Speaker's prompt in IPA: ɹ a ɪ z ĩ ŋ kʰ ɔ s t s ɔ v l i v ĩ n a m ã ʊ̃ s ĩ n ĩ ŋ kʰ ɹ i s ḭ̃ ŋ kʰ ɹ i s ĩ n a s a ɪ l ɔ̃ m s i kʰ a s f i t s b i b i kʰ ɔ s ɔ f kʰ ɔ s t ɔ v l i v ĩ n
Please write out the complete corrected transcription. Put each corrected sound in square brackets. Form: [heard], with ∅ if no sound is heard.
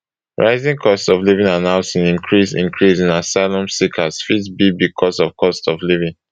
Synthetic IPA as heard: ɹ a ɪ z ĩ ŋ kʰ ɔ s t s ɔ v l i v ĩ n a [n] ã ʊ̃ s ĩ n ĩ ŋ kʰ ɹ i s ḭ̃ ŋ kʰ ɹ i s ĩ n a s a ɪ l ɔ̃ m s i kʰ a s f i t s b i b i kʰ ɔ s ɔ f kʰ ɔ s t ɔ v l i v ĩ n